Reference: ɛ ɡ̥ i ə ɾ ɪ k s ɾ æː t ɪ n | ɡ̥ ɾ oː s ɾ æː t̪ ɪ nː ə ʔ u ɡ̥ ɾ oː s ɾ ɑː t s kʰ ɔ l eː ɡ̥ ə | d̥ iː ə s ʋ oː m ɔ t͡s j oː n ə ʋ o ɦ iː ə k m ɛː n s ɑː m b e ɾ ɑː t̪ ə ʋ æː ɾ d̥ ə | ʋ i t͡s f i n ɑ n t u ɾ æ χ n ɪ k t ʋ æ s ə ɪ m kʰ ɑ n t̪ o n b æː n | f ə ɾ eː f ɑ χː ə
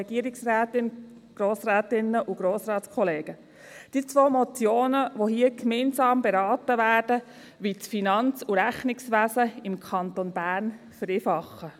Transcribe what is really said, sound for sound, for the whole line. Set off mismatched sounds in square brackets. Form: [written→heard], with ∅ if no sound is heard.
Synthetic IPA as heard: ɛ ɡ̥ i ə ɾ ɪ k s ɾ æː t ɪ n | ɡ̥ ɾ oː s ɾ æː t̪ ɪ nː ə ʔ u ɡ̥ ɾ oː s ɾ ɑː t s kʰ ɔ l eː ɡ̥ ə | d̥ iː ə [s→t͡s] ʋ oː m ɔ t͡s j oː n ə ʋ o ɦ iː ə k m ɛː n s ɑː m b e ɾ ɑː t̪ ə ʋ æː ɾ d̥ ə | ʋ i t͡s f i n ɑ n [t→t͡s] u ɾ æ χ n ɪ k [t→s] ʋ æ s ə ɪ m kʰ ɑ n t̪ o n b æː n | f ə ɾ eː f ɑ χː ə